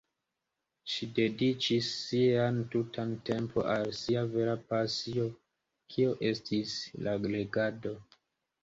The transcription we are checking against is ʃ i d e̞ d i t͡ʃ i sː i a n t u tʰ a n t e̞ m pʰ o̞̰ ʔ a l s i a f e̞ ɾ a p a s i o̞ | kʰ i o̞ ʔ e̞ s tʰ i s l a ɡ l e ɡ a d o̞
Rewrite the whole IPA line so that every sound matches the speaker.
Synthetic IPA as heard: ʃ i d e̞ d i t͡ʃ i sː i a n t u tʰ a n t e̞ m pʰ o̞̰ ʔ a l s i a v e̞ ɾ a p a s i o̞ | kʰ i o̞ ʔ e̞ s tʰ i s l a ɡ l e ɡ a d o̞